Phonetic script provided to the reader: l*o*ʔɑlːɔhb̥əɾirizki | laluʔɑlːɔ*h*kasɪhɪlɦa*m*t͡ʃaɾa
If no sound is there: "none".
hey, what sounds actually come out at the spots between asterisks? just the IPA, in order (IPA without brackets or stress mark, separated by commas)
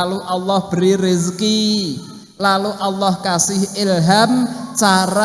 u, h, m